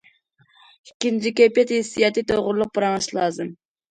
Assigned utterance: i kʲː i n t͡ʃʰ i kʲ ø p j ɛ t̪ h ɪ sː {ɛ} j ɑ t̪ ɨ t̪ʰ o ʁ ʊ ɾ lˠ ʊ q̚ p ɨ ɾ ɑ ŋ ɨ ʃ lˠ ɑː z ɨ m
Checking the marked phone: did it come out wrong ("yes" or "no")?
yes